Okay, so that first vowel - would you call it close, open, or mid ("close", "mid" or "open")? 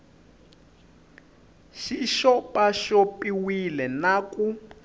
close